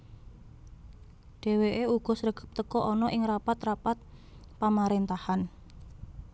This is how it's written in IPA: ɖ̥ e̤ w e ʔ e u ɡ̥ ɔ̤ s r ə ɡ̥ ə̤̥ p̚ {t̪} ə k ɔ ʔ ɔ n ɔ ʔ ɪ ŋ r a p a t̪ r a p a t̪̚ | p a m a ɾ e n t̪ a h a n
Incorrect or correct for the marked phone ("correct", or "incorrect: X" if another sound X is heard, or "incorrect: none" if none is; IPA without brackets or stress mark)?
correct